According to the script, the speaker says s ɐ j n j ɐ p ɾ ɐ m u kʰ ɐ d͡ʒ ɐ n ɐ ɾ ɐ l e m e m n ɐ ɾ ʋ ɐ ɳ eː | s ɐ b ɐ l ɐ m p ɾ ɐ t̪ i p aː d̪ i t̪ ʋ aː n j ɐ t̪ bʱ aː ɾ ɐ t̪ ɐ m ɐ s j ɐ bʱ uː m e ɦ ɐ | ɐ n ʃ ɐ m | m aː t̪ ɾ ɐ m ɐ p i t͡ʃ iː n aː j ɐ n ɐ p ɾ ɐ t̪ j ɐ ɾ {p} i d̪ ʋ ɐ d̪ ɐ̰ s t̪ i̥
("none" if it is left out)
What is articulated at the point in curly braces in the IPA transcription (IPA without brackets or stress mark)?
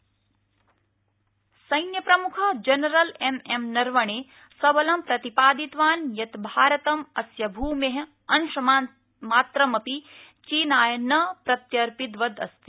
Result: p